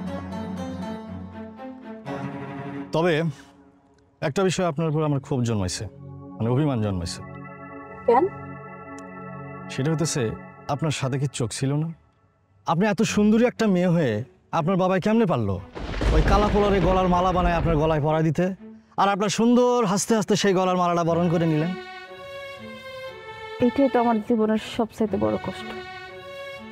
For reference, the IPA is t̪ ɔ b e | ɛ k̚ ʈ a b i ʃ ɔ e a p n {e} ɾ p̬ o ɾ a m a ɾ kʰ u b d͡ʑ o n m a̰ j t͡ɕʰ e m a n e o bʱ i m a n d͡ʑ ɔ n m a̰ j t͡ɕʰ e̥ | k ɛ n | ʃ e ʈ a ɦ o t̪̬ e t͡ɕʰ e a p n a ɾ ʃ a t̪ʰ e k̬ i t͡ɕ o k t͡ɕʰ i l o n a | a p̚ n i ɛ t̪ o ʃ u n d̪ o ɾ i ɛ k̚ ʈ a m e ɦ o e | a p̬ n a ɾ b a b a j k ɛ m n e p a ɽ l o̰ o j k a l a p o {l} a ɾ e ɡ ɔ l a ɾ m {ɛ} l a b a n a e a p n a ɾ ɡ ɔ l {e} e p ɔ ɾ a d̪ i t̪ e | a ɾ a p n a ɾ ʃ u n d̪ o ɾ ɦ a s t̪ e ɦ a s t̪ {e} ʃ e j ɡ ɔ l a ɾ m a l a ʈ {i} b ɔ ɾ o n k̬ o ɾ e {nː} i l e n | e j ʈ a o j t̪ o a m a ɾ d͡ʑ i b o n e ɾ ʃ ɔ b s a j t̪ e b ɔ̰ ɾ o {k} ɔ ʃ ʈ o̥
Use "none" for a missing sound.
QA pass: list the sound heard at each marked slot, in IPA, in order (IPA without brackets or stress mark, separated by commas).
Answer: a, l, a, a, e, a, n, k